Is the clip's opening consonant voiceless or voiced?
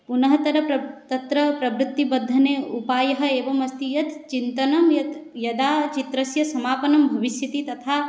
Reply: voiceless